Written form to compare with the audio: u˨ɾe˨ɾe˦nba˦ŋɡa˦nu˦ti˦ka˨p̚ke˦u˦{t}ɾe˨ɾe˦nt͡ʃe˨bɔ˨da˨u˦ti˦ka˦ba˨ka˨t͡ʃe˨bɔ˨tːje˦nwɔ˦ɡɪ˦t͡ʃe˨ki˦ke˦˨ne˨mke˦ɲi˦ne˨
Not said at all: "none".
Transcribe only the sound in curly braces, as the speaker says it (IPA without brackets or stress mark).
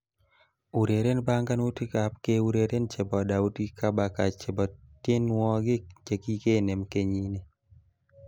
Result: none